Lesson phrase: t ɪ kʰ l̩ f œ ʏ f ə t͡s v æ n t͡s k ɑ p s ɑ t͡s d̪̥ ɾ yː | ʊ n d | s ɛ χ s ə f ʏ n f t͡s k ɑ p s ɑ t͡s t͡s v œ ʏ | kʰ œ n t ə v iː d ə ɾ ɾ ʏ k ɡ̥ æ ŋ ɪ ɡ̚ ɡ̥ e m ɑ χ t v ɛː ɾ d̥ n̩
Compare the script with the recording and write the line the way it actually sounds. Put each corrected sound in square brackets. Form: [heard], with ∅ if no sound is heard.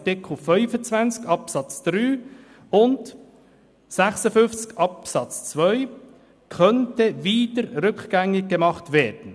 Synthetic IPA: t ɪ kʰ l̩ f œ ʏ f ə t͡s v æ n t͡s k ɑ p s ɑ t͡s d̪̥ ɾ yː | ʊ n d | s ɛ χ s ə f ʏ n f t͡s k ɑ p s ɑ t͡s t͡s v œ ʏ | kʰ œ n t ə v iː d ə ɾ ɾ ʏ k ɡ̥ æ ŋ ɪ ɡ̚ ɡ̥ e m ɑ χ t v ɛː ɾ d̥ n̩

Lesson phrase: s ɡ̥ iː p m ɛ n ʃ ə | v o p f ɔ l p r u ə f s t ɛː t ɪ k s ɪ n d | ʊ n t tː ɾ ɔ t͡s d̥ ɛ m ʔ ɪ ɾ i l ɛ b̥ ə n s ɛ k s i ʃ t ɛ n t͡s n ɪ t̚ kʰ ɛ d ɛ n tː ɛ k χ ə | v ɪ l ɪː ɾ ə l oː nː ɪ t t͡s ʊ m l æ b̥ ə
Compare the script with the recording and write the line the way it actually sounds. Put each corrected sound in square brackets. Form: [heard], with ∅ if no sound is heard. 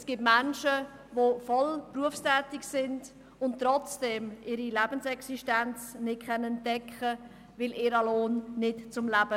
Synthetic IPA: s ɡ̥ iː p m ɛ n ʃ ə | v o [∅] f ɔ l p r u ə f s t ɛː t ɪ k s ɪ n d | ʊ n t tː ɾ ɔ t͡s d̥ ɛ m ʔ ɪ ɾ i l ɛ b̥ ə n s ɛ k s i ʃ t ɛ n t͡s n ɪ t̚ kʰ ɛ [n] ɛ n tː ɛ k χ ə | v ɪ l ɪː ɾ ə l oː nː ɪ t t͡s ʊ m l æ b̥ ə

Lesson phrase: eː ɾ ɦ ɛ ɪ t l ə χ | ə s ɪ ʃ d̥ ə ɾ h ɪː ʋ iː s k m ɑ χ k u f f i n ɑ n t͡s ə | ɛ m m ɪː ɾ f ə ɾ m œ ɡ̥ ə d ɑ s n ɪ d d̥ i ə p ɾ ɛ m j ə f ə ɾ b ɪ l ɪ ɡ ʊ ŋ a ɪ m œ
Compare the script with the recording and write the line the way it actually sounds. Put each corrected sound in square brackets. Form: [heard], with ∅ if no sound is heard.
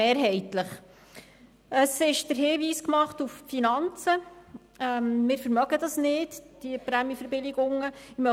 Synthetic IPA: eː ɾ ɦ ɛ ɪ t l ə χ | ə s ɪ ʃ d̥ ə ɾ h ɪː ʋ iː s k m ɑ χ [t] u f f i n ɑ n t͡s ə | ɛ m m ɪː ɾ f ə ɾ m œ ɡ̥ ə d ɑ s n ɪ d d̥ i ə p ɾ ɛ m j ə f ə ɾ b ɪ l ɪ ɡ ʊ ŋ [ə] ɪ m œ

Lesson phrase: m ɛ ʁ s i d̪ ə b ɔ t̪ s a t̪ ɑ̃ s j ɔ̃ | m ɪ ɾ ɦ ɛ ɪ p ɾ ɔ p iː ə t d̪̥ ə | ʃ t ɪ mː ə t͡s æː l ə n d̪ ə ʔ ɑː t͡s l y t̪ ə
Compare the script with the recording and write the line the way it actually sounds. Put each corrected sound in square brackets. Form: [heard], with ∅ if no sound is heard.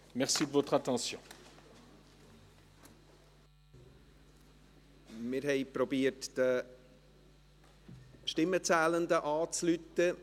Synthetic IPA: m ɛ ʁ s i d̪ ə [v] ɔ t̪ [χ] a t̪ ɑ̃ s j ɔ̃ | m ɪ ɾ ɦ ɛ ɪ p ɾ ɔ [b] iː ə t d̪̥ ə | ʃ t ɪ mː ə t͡s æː l ə n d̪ ə ʔ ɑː t͡s l y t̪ ə

